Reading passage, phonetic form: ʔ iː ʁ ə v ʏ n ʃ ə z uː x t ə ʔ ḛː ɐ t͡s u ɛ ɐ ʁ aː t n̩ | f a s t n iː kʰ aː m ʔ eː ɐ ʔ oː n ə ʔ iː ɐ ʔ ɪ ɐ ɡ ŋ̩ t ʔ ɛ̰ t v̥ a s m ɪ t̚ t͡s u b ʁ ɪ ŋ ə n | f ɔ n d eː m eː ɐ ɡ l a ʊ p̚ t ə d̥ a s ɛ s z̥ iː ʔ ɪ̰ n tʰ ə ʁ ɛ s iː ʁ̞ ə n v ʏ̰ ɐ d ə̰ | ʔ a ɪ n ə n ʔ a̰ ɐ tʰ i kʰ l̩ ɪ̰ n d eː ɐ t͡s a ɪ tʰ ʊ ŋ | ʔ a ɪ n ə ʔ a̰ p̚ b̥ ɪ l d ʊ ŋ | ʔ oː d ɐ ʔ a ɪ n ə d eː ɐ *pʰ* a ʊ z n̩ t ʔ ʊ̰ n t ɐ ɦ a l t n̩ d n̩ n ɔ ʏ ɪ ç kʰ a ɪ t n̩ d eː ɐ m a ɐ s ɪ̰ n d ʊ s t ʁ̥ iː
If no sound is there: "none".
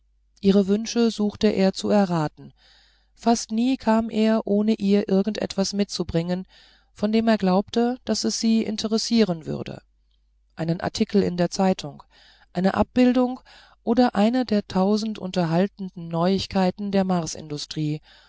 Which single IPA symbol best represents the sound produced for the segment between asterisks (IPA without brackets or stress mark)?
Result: tʰ